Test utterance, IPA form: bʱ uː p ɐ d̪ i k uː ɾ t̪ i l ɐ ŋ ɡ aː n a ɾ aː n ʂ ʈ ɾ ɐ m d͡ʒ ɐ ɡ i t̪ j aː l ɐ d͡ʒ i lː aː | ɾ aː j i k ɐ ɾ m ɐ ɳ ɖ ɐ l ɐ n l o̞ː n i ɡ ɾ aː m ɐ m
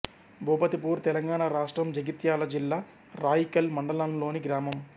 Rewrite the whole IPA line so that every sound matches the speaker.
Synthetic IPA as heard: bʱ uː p ɐ t̪ i p uː ɾ t̪ ɛ l ɐ ŋ ɡ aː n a ɾ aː ʂ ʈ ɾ ɐ m d͡ʒ ɐ ɡ i t̪ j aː l ɐ d͡ʒ i lː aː | ɾ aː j i k ɐ l m ɐ ɳ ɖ ɐ l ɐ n l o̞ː n i ɡ ɾ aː m ɐ m